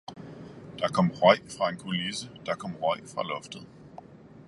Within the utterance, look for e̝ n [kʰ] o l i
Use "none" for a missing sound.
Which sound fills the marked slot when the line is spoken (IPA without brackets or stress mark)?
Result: kʰ